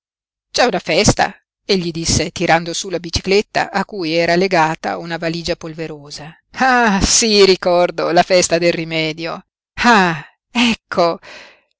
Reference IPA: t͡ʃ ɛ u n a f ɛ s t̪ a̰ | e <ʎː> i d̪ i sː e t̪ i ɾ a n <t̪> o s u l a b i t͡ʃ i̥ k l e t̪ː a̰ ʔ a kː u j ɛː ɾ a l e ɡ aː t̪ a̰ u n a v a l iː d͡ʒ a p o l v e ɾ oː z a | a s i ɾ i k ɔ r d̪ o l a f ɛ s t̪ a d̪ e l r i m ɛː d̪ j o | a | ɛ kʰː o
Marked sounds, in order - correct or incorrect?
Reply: correct, incorrect: d̪

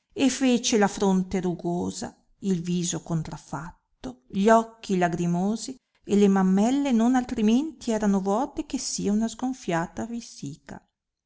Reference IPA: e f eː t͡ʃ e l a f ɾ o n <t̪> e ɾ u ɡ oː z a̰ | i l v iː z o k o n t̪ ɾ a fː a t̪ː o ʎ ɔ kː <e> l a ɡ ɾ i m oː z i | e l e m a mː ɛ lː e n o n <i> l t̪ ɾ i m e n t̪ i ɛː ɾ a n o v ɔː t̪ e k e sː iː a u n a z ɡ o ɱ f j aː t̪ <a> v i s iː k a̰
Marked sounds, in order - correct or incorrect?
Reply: correct, incorrect: i, incorrect: a, correct

